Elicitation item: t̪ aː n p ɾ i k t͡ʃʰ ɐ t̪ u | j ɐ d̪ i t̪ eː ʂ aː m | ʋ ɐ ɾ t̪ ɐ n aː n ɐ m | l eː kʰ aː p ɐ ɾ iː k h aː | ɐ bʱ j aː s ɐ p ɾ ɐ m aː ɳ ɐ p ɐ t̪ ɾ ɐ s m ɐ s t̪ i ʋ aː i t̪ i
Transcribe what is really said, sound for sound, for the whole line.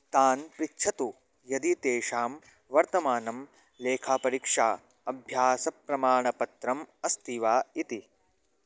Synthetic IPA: t̪ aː n p ɾ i k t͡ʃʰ ɐ t̪ u | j ɐ d̪ i t̪ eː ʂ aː m | ʋ ɐ ɾ t̪ ɐ m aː n ɐ m | l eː kʰ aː p ɐ ɾ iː k ʂ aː | ɐ bʱ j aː s ɐ p ɾ ɐ m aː ɳ ɐ p ɐ t̪ ɾ ɐ m ɐ s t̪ i ʋ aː i t̪ i